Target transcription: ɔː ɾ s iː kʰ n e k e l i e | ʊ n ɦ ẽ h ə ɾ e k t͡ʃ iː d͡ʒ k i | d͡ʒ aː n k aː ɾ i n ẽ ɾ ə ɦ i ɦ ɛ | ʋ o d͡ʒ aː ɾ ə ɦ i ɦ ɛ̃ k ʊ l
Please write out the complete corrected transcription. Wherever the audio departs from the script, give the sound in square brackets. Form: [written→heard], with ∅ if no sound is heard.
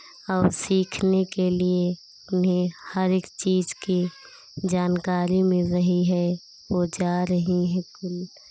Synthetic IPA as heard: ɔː ɾ s iː kʰ n e k e l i e | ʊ n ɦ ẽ h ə ɾ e k t͡ʃ iː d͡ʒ k i | d͡ʒ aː n k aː ɾ i [n→m] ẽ ɾ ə ɦ i ɦ ɛ | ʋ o d͡ʒ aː ɾ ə ɦ i ɦ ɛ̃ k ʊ l